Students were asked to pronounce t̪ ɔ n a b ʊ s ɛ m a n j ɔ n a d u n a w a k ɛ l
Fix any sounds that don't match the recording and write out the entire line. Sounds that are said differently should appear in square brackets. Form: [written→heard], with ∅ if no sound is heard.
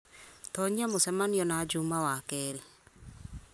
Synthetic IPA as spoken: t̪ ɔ [n→ɲ] a [b→m] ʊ s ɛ m a n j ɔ n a [d→d͡ʒ] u [n→m] a w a k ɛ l